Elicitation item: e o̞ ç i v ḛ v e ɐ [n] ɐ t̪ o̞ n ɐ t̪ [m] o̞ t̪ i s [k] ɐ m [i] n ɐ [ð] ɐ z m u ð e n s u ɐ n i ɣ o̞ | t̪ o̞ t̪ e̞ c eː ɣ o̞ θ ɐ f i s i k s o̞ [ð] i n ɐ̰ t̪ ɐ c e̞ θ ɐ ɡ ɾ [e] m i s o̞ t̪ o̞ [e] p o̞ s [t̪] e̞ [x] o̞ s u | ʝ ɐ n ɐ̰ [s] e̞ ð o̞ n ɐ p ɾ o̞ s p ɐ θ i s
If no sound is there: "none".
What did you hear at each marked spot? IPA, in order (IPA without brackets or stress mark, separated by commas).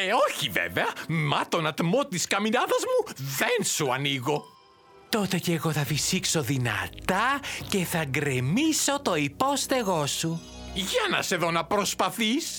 m, m, k, i, ð, ð, e, i, t̪, ɣ, s